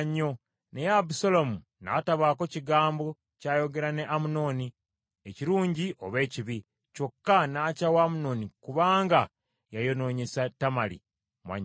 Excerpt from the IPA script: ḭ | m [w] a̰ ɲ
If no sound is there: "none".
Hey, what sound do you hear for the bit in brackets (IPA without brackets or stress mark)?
w